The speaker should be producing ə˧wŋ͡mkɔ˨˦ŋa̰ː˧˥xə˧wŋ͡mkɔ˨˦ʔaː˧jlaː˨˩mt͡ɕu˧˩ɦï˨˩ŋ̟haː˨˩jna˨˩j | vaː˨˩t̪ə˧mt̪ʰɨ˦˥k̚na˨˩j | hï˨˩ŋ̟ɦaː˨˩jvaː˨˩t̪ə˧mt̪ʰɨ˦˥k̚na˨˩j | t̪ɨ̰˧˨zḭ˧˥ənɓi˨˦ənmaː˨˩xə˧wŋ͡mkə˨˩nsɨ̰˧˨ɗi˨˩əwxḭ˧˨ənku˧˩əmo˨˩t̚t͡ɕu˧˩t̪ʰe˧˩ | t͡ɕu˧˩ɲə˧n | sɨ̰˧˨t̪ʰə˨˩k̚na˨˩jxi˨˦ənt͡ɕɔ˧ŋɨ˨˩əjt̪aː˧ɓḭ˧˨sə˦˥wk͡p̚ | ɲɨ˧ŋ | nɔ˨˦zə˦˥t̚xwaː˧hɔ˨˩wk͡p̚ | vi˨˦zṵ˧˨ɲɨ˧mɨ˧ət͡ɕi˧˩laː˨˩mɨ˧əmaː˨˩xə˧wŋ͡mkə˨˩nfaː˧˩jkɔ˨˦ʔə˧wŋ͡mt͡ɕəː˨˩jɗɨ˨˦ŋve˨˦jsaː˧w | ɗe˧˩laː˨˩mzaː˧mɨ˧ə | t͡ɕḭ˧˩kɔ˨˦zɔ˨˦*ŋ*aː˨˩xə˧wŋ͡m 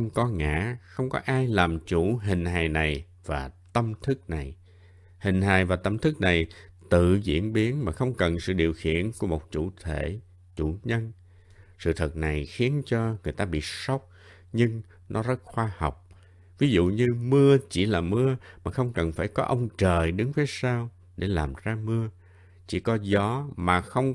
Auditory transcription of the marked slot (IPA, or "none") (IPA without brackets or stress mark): m